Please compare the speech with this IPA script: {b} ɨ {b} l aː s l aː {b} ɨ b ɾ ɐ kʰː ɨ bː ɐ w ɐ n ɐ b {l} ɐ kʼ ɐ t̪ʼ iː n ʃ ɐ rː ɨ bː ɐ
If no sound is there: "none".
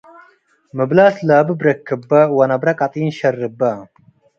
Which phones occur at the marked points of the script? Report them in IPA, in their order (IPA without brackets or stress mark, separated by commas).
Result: m, b, b, ɾ